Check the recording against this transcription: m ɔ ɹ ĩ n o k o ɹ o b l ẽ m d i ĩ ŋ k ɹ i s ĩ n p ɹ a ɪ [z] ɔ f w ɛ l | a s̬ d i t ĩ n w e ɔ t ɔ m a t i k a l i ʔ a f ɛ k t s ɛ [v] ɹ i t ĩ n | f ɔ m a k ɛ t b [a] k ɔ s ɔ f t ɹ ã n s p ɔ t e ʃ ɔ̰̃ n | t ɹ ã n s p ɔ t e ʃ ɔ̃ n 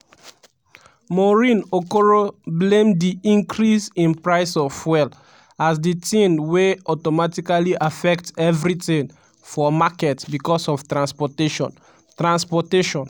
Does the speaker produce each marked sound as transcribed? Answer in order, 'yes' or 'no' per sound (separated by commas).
no, yes, no